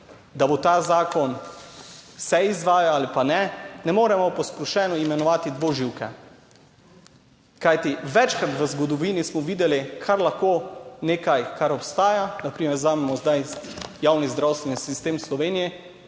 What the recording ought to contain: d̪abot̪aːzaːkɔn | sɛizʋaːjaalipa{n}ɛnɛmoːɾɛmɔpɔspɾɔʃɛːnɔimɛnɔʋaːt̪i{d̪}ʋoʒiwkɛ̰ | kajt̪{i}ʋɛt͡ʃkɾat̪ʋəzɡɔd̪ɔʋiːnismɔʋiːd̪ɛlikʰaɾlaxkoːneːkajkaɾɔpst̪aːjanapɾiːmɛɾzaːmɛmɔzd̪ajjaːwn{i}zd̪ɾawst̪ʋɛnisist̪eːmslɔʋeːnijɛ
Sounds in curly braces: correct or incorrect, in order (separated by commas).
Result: correct, correct, correct, correct